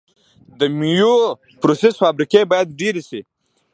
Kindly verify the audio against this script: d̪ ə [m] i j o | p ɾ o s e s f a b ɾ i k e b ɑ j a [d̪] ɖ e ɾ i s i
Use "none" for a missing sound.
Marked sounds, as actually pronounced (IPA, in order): m, d̪

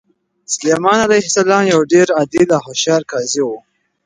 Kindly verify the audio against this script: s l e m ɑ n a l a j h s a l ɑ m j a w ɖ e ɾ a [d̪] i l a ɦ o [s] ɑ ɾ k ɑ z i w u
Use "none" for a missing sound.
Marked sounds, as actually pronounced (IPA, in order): d̪, ʃ

